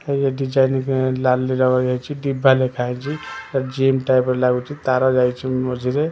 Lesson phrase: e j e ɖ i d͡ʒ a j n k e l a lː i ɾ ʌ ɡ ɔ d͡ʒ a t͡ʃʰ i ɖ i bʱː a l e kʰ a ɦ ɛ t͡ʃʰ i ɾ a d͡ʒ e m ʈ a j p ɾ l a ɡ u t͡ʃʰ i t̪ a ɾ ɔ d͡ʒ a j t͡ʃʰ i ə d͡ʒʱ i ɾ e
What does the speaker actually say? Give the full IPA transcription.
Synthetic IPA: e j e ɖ i d͡ʒ a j n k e l a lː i ɾ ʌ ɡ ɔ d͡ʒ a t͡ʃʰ i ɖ i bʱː a l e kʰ a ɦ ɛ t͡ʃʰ i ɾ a d͡ʒ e m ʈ a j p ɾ l a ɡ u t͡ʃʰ i t̪ a ɾ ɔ d͡ʒ a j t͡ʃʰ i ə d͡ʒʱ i ɾ e